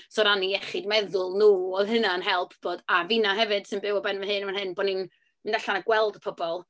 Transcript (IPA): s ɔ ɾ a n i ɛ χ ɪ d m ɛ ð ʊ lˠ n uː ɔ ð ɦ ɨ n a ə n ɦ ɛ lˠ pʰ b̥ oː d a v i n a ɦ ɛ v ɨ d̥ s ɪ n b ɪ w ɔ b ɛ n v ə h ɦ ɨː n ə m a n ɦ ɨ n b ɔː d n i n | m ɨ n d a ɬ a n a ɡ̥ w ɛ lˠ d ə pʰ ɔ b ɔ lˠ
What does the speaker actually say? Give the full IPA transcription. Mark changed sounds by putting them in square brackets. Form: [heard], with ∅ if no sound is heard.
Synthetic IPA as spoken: s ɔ ɾ a n i ɛ χ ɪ d m ɛ ð ʊ lˠ n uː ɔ ð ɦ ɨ n a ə n ɦ ɛ lˠ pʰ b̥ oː d a v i n a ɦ ɛ v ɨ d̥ s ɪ n b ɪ w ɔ b ɛ n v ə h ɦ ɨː n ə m a n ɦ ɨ n b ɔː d n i n | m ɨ n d a ɬ a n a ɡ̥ w ɛ lˠ d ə pʰ ɔ b ɔ lˠ